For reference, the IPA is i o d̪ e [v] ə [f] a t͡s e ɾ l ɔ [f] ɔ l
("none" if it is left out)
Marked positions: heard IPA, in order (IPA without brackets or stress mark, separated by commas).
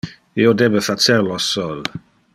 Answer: b, f, s